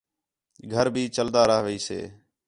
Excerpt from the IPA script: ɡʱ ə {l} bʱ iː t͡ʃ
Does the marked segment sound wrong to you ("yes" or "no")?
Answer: yes